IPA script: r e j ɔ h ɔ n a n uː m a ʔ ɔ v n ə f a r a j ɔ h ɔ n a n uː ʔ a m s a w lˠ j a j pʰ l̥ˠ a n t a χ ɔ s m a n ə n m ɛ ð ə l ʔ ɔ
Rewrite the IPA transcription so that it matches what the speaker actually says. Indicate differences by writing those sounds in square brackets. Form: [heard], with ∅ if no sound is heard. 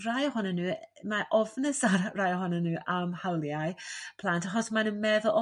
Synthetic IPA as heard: r [a] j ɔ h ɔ n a n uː m a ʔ ɔ v n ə [s] a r a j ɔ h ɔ n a n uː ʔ a m [h] a w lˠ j a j pʰ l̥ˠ a n t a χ ɔ s m a n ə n m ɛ ð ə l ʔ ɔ